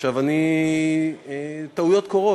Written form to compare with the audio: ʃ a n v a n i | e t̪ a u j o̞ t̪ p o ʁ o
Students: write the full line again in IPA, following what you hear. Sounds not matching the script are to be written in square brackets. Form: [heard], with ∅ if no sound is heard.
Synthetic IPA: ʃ a [∅] v a n i | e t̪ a u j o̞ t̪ [k] o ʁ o